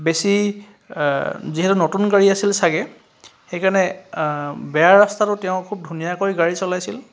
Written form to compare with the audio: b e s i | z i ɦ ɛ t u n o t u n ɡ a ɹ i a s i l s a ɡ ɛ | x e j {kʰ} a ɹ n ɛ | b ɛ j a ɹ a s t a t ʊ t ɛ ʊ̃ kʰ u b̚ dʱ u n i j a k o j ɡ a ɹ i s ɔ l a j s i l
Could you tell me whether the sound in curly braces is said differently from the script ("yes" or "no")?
yes